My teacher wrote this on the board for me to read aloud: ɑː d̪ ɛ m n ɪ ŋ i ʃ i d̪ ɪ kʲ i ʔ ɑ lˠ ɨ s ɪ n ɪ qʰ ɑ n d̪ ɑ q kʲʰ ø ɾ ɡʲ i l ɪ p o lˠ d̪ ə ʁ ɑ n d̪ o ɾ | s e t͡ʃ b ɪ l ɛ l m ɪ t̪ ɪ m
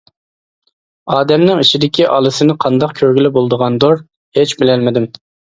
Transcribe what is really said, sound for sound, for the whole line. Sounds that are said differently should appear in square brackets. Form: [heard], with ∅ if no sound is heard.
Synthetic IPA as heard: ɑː d̪ ɛ m n ɪ ŋ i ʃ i d̪ ɪ kʲ i ʔ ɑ lˠ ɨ s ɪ n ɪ qʰ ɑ n d̪ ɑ q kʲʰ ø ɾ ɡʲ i l ɪ [b] o lˠ d̪ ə ʁ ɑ n d̪ o ɾ | [h] e t͡ʃ b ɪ l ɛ l m ɪ [d̪] ɪ m